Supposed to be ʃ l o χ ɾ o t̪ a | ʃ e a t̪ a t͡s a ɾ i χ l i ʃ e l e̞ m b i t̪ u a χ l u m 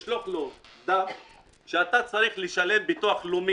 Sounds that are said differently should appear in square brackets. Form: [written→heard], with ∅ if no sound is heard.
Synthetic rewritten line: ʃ l o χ [ɾ→l] o [t̪→d̪] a | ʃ e a t̪ a t͡s a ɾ i χ l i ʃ [e→a] l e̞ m b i t̪ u a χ l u m